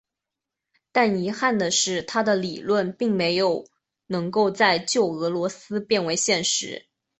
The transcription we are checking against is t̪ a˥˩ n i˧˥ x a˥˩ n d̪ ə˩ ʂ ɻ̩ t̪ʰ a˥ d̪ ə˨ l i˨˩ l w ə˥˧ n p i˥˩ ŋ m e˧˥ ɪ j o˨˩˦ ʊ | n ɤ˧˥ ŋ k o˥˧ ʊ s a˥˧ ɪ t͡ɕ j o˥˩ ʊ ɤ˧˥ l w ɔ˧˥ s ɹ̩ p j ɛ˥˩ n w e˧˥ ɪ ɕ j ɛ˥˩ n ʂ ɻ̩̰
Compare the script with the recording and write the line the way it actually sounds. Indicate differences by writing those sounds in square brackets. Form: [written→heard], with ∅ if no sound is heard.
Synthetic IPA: t̪ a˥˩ n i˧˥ x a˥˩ n d̪ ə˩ ʂ ɻ̩ t̪ʰ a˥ d̪ ə˨ l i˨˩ l w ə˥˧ n p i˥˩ ŋ m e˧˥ ɪ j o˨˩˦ ʊ | n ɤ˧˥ ŋ k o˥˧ ʊ [s→t͡s] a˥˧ ɪ t͡ɕ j o˥˩ ʊ ɤ˧˥ l w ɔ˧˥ s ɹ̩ p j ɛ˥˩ n w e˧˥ ɪ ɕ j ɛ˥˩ n ʂ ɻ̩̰